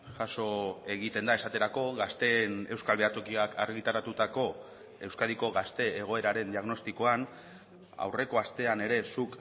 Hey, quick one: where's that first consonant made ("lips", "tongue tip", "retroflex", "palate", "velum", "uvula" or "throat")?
palate